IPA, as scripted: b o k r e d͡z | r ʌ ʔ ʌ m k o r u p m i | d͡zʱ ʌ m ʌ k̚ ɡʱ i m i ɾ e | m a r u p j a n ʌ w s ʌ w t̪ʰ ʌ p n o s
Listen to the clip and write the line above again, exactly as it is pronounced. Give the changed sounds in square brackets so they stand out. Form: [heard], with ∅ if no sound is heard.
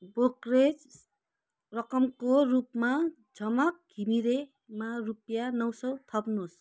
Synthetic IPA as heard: b o k r e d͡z | r ʌ [k] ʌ m k o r u p m [a] | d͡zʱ ʌ m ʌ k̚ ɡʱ i m i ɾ e | m a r u p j a n ʌ w s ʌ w t̪ʰ ʌ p n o s